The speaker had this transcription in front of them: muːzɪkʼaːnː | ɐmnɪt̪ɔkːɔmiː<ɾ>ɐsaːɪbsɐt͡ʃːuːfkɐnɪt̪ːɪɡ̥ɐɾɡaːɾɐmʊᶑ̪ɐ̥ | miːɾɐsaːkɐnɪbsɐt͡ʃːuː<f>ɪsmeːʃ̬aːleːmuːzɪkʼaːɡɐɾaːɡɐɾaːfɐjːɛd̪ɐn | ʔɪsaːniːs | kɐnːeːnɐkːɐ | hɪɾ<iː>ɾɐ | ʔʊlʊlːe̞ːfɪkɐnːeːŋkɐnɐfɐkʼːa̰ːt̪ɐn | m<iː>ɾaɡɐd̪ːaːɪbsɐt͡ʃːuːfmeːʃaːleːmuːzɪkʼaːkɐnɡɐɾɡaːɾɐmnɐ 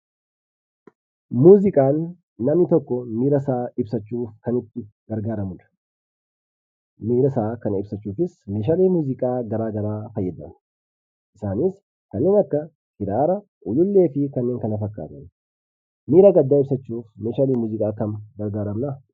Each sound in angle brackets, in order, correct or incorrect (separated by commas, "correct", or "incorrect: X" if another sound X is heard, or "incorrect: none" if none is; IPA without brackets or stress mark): correct, correct, incorrect: aː, correct